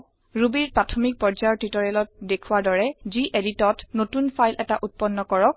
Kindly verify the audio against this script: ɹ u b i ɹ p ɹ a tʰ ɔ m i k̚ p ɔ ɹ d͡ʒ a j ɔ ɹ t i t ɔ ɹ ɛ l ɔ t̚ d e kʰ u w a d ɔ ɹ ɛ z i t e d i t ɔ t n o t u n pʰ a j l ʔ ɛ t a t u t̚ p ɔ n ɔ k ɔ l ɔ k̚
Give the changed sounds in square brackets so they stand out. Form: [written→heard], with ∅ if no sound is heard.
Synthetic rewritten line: ɹ u b i ɹ p ɹ a tʰ ɔ m i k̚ p ɔ ɹ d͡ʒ a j ɔ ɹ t i t ɔ ɹ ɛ l ɔ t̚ d e kʰ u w a d ɔ ɹ ɛ z i [t→ʔ] e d i t ɔ t n o t u n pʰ a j l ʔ ɛ t a [t→ʔ] u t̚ p ɔ [n→nː] ɔ k ɔ [l→ɹ] ɔ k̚